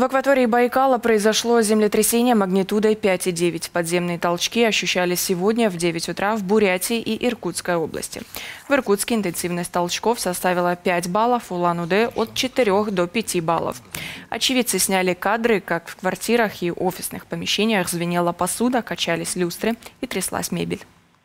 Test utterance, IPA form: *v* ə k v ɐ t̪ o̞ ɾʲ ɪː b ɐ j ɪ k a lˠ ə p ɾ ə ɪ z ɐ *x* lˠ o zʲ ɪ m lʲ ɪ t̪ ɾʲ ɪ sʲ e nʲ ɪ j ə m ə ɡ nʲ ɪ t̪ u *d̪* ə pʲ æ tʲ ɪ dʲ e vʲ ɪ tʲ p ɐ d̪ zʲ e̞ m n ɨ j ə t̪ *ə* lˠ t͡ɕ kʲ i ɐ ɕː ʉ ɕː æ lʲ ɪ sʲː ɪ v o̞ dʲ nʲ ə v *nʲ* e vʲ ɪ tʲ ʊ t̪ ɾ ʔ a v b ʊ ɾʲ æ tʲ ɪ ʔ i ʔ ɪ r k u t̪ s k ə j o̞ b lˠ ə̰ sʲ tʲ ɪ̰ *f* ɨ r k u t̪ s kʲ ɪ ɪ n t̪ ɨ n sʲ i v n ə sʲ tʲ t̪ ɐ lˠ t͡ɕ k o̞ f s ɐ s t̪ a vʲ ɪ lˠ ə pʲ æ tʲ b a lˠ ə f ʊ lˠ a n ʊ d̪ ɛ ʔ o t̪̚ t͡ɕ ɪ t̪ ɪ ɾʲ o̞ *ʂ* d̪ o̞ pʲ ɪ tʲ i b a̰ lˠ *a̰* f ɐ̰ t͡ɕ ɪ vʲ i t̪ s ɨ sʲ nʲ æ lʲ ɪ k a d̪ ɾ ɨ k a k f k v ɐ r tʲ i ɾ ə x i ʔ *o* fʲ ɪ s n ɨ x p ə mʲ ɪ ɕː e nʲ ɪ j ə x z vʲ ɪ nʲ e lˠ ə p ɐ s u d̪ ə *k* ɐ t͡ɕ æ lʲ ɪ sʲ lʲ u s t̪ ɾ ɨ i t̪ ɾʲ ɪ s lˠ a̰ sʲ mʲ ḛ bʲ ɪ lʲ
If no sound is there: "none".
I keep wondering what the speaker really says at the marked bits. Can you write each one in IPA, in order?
v, ʂ, d̪, ɐ, dʲ, v, x, ə̰, o, k

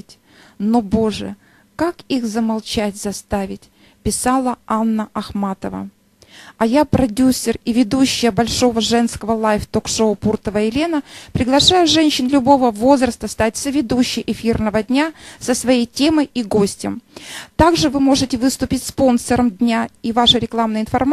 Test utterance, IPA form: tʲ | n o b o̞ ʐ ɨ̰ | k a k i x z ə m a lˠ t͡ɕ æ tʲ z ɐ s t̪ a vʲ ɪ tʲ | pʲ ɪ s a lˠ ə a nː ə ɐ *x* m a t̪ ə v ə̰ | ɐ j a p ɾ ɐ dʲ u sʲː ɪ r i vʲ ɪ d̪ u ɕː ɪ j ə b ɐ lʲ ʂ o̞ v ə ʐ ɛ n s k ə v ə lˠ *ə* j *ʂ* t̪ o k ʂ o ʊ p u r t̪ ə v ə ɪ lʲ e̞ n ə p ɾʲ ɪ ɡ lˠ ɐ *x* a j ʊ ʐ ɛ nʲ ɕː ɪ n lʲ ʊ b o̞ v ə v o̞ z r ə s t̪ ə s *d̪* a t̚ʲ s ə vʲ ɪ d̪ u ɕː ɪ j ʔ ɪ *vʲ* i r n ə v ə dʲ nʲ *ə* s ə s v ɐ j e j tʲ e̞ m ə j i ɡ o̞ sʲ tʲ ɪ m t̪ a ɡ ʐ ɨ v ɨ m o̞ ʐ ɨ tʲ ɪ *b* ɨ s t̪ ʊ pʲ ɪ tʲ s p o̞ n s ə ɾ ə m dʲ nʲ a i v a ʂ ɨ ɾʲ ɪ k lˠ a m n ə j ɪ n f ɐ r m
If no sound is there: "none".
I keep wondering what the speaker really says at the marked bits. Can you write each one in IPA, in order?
x, a, f, ʂ, t̪, fʲ, a, v

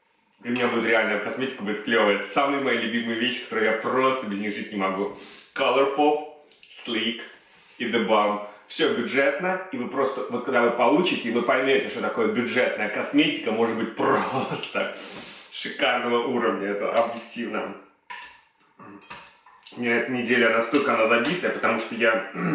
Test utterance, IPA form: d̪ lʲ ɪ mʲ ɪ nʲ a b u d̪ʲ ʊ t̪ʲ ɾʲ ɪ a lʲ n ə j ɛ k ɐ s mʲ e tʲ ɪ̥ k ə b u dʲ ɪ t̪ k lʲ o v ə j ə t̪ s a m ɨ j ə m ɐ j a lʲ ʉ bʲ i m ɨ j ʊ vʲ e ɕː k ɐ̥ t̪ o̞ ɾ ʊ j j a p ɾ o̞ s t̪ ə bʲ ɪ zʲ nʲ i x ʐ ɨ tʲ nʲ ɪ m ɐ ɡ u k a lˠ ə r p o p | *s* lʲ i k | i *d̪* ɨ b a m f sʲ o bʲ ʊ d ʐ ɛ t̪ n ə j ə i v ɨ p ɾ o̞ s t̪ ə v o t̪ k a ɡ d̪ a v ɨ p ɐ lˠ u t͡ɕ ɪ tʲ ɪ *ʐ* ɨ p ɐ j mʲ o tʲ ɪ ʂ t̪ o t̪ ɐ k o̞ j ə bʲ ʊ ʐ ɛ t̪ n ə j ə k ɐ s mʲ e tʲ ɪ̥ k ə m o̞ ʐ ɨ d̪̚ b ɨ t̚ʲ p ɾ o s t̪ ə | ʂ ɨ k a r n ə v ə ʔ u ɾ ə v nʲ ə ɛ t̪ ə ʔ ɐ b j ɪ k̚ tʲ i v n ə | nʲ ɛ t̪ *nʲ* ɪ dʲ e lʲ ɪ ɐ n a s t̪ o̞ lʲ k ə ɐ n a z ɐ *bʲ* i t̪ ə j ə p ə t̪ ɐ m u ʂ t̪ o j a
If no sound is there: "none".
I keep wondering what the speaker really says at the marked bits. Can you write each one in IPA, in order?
s, d̪, v, nʲ, bʲ

